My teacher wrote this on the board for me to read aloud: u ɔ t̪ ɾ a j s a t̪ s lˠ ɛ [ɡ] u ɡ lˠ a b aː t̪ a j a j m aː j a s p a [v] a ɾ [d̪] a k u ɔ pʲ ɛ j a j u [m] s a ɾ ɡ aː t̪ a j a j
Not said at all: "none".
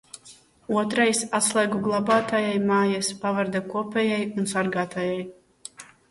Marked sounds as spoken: ɡ, v, d̪, n

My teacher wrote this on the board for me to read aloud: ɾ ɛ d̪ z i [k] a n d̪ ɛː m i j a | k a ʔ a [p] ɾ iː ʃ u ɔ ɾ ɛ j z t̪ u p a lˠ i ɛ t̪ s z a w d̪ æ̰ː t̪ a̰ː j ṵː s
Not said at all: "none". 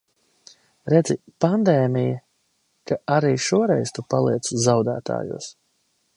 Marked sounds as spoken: p, none

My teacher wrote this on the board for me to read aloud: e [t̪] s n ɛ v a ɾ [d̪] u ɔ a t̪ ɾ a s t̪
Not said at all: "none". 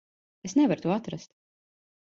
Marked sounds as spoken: none, t̪

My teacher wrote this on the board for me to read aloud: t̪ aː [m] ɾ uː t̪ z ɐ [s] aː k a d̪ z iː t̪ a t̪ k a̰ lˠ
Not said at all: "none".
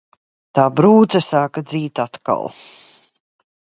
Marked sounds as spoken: b, s

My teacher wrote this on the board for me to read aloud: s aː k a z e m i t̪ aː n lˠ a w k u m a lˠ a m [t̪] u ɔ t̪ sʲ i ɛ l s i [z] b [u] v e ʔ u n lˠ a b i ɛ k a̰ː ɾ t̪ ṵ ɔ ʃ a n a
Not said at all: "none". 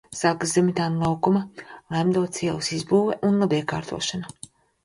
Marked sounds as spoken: d̪, z, uː

